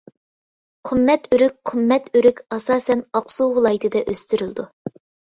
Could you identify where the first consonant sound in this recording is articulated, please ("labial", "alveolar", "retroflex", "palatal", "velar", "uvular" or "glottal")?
uvular